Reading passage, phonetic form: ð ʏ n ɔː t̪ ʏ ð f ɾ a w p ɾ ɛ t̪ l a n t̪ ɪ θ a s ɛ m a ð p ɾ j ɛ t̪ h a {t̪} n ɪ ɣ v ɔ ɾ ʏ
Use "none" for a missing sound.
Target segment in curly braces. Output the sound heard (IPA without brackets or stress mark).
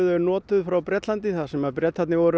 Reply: t̪